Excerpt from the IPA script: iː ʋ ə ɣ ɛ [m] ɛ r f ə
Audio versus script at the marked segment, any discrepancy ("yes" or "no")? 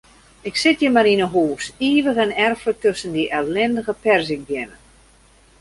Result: yes